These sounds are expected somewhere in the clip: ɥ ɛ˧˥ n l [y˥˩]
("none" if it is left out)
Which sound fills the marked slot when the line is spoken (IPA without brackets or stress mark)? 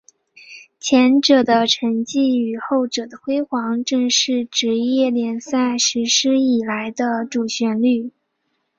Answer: y˥˩